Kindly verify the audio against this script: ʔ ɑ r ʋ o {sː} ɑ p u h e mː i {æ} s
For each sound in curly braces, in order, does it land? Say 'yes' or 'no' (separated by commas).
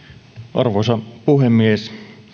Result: no, no